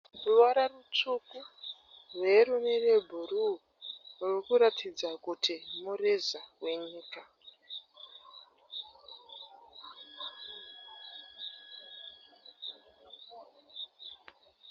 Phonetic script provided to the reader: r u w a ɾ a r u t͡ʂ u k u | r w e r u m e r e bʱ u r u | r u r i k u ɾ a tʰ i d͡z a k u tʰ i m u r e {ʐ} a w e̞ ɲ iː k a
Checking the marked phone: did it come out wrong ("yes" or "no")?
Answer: yes